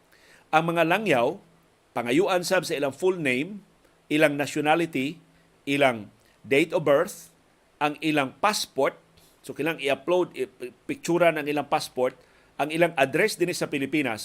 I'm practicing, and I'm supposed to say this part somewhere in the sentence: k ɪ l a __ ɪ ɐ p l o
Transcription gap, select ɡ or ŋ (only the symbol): ŋ